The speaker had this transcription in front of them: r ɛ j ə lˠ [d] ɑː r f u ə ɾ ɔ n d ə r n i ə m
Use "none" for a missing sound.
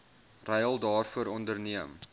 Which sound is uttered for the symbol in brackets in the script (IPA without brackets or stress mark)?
d